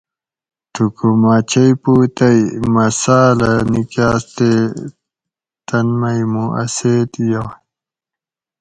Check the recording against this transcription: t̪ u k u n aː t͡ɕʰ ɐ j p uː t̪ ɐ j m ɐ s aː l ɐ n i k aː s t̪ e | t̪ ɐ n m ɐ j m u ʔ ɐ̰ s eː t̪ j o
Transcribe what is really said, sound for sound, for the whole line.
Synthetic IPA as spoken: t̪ u k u m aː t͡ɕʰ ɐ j p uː t̪ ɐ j m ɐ s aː l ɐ n i k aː s t̪ e | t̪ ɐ n m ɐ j m u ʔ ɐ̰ s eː t̪ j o